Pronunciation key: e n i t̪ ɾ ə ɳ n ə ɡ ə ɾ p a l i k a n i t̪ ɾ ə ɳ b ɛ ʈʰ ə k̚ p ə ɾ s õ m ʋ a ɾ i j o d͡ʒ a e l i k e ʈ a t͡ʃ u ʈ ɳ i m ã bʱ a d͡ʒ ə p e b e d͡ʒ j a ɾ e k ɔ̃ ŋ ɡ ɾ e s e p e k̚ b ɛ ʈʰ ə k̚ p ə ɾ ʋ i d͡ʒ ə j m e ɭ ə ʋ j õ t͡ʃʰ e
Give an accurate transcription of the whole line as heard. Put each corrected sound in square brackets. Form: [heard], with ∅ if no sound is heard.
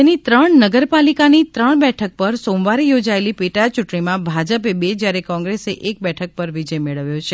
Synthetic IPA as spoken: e n i t̪ ɾ ə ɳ n ə ɡ ə ɾ p a l i k a n i t̪ ɾ ə ɳ b ɛ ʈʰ ə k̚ p ə ɾ s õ m ʋ a ɾ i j o d͡ʒ a e l i [p] e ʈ a t͡ʃ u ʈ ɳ i m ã bʱ a d͡ʒ ə p e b e d͡ʒ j a ɾ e k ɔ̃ ŋ ɡ ɾ e s e [ʔ] e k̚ b ɛ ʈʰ ə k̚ p ə ɾ ʋ i d͡ʒ ə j m e ɭ ə ʋ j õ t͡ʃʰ e